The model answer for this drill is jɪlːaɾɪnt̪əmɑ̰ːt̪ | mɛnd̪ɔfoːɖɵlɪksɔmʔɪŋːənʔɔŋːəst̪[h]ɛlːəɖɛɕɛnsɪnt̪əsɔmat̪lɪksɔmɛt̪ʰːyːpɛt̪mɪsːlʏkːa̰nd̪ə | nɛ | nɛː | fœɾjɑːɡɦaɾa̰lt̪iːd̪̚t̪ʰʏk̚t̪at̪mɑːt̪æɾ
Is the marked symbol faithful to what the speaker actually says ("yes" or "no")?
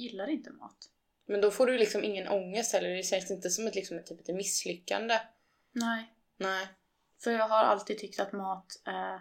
yes